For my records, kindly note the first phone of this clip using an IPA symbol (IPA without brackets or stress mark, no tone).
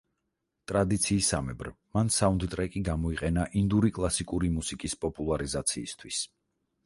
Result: t̪ʼ